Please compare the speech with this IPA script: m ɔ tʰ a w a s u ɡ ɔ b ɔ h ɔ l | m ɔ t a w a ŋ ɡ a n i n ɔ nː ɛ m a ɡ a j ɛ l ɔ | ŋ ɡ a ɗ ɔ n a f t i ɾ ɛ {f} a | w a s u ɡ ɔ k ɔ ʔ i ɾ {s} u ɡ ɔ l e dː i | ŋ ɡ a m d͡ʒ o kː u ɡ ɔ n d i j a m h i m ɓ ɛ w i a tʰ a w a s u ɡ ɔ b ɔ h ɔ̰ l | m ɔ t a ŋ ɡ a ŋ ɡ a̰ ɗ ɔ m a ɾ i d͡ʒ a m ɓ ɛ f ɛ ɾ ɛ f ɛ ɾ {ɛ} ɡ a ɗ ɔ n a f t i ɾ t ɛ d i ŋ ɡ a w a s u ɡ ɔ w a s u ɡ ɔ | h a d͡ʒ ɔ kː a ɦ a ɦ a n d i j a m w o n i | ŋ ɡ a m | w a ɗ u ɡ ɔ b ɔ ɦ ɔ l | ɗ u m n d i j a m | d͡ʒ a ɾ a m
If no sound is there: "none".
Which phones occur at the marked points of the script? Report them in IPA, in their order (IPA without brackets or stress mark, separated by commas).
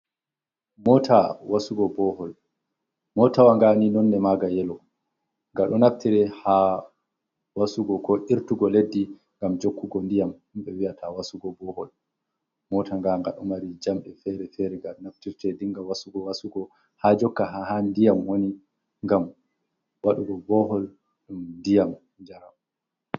h, t, ɛ